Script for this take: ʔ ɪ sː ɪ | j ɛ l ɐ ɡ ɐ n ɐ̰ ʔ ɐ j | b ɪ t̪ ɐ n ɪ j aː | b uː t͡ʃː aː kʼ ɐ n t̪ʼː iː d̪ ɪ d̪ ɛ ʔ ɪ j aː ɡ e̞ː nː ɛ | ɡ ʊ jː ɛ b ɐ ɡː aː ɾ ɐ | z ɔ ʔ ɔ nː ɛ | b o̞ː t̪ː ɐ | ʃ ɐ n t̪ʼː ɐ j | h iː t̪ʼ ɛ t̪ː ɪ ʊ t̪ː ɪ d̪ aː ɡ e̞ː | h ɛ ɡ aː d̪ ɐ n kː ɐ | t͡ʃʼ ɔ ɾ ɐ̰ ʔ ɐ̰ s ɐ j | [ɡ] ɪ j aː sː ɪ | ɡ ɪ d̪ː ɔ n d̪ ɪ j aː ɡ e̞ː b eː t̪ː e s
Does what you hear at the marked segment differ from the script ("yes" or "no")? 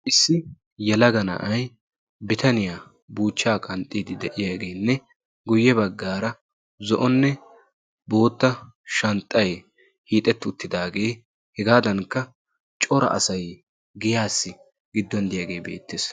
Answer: no